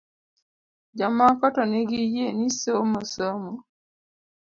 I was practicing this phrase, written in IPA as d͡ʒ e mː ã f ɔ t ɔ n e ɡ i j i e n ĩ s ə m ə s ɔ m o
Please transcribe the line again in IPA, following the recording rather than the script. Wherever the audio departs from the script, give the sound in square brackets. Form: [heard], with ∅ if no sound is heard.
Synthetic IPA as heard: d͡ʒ [a] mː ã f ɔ t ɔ n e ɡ i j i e n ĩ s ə m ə s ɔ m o